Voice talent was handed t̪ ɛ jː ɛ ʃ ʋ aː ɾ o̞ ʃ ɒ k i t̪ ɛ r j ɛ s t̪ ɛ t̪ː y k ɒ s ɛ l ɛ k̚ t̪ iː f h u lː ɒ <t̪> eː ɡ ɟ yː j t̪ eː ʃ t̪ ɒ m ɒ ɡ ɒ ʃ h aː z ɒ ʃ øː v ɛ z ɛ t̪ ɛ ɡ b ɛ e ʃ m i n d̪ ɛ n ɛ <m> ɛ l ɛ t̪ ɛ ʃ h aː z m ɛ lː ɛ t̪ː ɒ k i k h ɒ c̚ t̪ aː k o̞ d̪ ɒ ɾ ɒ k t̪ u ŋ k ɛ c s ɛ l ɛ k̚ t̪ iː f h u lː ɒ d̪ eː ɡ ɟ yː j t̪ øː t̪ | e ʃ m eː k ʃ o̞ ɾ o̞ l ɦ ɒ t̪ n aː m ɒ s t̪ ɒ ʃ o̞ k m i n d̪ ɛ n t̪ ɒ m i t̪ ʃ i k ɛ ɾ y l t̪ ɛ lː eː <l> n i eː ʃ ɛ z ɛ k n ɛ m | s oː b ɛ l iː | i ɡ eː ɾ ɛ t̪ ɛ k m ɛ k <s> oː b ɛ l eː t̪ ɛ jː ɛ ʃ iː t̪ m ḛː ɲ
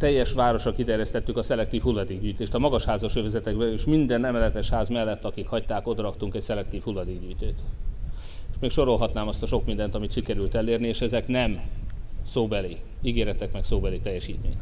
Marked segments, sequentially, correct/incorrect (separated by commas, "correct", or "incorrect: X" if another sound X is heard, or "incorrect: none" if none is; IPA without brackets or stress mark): incorrect: d̪, correct, incorrect: r, correct